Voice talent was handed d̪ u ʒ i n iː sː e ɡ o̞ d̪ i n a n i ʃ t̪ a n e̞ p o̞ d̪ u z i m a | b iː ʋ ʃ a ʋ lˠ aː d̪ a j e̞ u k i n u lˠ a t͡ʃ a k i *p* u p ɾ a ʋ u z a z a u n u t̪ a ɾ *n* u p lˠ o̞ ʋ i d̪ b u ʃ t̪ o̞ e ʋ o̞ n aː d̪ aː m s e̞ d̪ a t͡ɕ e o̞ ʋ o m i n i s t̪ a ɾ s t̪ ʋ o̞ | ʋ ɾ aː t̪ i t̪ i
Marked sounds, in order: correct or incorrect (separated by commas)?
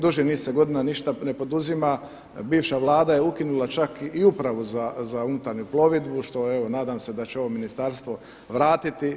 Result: incorrect, incorrect